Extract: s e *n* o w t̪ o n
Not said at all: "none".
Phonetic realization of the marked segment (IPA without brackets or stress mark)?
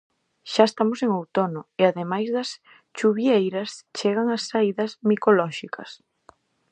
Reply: ŋ